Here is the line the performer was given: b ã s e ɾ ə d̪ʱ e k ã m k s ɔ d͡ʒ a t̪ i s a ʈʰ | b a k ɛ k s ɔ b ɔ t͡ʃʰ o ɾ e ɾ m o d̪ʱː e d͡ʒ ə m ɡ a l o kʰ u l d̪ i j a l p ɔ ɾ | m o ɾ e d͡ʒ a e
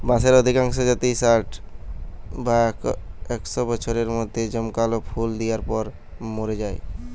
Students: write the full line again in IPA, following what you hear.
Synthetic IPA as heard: b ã s e ɾ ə d̪ʱ i k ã ŋ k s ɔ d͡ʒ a t̪ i s a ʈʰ | b a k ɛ k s ɔ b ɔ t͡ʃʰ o ɾ e ɾ m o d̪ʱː e d͡ʒ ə m k a l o pʰ u l d̪ i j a ɾ p ɔ ɾ | m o ɾ e d͡ʒ a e